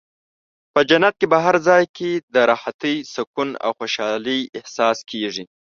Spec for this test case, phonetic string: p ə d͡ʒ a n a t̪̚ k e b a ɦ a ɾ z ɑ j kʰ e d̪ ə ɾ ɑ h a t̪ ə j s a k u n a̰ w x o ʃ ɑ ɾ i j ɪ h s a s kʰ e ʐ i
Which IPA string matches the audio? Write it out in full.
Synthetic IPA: p ə d͡ʒ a n a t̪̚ k e b a ɦ a ɾ z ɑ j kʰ e d̪ ə ɾ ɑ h a t̪ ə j s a k u n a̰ w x o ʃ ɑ l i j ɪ h s ɑ s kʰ e ʐ i